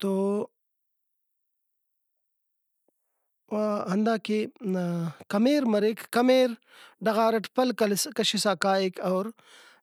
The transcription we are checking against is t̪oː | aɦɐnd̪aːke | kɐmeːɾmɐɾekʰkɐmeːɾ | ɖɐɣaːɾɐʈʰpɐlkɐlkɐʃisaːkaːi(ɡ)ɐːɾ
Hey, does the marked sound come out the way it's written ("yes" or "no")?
no